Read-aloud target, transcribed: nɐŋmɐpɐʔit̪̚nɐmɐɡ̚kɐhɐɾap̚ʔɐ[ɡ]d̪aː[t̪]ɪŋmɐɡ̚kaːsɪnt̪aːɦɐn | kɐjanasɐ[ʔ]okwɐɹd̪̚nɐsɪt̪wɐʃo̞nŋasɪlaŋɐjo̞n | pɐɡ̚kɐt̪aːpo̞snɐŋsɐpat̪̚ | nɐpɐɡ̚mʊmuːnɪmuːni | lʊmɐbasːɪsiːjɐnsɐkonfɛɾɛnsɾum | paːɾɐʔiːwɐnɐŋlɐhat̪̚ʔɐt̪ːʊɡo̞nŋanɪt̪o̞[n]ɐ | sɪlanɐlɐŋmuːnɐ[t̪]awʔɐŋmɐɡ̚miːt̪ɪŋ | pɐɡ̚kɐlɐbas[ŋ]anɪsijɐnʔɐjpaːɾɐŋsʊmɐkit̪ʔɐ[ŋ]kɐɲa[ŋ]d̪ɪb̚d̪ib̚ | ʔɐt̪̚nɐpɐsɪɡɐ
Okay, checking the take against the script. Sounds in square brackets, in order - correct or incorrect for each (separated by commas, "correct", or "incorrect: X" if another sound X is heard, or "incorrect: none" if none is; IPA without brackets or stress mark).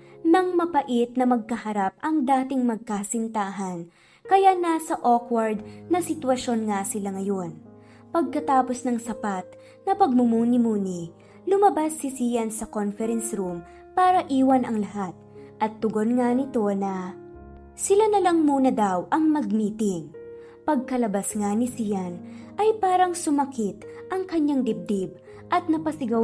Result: incorrect: ŋ, correct, correct, correct, incorrect: d̪, correct, correct, correct